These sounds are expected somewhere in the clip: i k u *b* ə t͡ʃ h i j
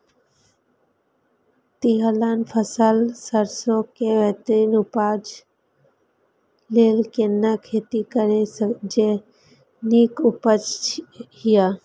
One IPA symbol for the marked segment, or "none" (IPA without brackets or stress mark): p